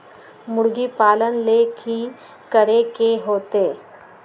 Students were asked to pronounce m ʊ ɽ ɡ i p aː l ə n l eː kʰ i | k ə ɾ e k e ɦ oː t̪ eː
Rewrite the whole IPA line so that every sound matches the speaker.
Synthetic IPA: m ʊ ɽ ɡ i p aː l ə n l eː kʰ i | k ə ɾ e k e ɦ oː t̪ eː